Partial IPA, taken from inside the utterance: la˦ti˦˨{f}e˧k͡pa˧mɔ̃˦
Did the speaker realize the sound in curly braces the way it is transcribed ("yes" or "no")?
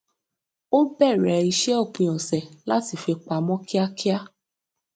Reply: yes